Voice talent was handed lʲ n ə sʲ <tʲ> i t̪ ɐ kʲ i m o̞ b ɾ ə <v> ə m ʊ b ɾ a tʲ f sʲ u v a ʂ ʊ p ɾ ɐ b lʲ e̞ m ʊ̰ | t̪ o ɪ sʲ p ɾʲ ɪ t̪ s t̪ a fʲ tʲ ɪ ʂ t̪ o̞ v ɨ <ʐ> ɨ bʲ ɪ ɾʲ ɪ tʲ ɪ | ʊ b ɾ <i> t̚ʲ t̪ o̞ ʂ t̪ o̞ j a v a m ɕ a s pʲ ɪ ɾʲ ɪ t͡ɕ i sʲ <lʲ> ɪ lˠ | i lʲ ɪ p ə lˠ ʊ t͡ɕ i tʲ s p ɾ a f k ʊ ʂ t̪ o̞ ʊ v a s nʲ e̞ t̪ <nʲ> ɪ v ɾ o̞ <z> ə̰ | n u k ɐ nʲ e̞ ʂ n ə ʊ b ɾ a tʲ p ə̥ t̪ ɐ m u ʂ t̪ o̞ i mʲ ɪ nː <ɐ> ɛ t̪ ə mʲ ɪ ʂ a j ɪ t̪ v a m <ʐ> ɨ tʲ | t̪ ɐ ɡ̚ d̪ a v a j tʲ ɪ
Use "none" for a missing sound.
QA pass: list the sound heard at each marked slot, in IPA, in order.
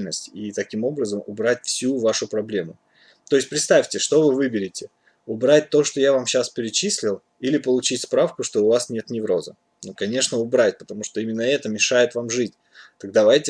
tʲ, z, v, a, lʲ, nʲ, z, ə, ʐ

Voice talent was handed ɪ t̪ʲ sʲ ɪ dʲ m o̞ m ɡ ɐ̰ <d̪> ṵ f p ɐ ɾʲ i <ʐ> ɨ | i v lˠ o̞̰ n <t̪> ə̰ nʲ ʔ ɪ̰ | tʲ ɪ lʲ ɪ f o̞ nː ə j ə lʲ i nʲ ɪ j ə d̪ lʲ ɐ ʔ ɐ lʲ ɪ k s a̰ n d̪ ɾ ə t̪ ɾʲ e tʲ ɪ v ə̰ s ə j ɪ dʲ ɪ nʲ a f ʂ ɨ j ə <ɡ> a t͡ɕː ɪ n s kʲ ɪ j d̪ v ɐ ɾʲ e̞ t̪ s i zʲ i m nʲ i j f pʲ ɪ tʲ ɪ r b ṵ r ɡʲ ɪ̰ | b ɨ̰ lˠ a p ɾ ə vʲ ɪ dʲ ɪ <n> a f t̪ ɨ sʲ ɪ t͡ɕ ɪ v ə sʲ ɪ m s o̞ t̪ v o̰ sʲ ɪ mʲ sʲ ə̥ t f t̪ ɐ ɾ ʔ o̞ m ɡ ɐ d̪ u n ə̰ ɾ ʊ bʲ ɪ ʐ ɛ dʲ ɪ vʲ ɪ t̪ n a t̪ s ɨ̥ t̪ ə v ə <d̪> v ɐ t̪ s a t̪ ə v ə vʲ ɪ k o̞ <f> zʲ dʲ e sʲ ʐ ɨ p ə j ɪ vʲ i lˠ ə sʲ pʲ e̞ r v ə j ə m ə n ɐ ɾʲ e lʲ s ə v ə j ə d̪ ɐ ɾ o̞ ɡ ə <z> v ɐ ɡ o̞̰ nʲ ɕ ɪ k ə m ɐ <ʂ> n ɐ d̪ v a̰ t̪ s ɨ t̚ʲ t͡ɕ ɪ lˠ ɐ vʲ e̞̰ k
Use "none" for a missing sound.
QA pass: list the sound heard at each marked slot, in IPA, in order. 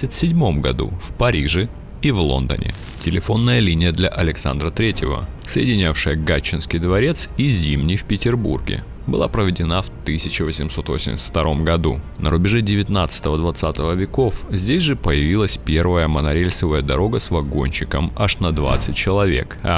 d̪, ʐ, d̪, ɡ, n, d̪, f, s, ʂ

